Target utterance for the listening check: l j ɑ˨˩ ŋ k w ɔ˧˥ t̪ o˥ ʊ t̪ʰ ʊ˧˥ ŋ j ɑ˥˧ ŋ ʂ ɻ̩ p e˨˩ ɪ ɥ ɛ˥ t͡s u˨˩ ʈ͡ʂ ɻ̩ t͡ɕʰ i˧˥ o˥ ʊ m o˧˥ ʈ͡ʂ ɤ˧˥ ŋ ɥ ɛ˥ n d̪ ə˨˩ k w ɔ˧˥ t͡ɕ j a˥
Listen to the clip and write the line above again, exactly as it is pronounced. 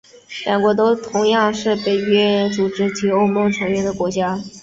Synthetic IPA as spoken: l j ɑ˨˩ ŋ k w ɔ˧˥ t̪ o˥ ʊ t̪ʰ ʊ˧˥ ŋ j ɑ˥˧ ŋ ʂ ɻ̩ p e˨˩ ɪ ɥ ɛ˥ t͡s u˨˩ ʈ͡ʂ ɻ̩ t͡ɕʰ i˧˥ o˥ ʊ m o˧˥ ʈ͡ʂʰ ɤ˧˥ ŋ ɥ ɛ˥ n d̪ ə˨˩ k w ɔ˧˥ t͡ɕ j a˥